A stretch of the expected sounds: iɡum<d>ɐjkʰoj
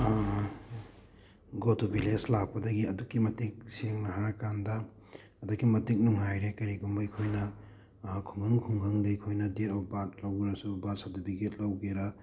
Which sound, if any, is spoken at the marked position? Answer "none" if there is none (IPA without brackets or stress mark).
b